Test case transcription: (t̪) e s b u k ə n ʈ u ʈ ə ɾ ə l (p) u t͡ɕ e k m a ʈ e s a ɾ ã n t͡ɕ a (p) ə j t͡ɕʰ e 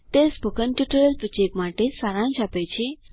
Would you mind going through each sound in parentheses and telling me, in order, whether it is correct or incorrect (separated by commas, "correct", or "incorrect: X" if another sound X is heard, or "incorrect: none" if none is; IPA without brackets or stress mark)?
correct, correct, correct